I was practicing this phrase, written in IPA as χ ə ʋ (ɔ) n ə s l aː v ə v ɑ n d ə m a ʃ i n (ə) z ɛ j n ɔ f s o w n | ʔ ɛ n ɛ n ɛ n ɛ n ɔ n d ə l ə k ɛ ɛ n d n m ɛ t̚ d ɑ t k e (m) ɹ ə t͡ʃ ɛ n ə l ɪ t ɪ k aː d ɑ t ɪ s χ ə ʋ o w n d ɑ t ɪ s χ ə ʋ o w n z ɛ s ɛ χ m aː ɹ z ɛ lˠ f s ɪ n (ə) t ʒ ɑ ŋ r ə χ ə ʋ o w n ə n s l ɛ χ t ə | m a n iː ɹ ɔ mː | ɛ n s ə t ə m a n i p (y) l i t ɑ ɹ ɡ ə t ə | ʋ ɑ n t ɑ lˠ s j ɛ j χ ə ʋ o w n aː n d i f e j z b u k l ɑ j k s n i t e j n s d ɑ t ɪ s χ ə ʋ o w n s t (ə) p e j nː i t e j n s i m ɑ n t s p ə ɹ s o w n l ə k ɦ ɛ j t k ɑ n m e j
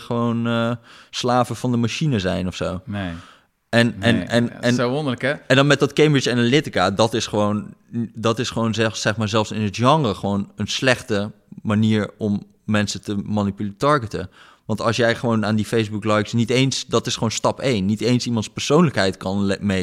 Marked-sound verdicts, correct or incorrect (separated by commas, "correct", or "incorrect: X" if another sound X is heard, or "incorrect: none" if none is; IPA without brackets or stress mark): incorrect: o, correct, correct, correct, correct, incorrect: ɑ